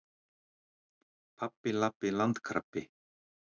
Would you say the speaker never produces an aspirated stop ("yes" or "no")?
no